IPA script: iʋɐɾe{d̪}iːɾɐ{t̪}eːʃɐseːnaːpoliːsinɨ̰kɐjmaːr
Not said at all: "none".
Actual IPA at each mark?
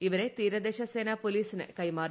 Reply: t̪, d̪

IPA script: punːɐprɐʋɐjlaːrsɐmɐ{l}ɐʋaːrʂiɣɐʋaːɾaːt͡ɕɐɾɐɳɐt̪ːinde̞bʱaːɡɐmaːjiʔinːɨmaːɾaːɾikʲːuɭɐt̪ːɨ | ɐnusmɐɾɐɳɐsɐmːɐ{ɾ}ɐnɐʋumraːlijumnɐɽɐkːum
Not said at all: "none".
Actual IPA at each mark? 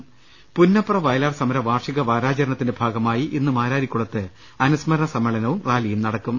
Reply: ɾ, ɭ

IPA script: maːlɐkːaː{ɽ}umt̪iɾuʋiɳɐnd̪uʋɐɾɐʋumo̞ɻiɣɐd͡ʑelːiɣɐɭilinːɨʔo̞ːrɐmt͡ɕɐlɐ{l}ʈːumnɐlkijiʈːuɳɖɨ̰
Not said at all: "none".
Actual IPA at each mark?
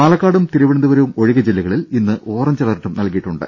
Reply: ɽ, r

